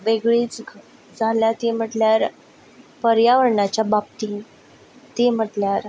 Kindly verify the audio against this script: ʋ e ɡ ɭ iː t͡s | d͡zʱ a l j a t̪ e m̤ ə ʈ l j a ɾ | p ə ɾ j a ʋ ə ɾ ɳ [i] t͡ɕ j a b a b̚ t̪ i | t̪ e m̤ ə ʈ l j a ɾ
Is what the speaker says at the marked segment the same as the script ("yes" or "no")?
no